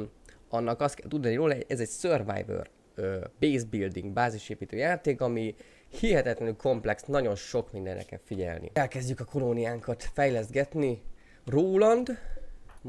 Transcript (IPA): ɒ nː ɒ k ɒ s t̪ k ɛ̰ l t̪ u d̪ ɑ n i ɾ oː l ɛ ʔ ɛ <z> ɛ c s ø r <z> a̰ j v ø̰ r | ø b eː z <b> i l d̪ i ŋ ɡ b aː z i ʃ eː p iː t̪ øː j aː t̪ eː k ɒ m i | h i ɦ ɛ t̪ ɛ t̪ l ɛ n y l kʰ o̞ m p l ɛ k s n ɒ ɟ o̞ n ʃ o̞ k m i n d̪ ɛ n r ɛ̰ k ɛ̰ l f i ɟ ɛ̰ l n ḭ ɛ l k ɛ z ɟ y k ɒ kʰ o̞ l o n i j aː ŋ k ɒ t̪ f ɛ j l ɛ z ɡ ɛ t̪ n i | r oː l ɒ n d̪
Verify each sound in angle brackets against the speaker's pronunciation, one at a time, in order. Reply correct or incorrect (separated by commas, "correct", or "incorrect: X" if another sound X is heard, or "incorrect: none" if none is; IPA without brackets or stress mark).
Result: correct, incorrect: v, correct